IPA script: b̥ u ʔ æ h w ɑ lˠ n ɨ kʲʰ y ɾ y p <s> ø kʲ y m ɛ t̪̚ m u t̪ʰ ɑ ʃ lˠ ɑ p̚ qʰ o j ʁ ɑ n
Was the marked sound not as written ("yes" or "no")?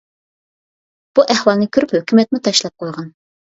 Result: yes